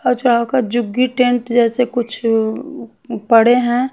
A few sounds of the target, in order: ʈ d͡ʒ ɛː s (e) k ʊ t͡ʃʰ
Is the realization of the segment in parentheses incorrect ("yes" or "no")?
no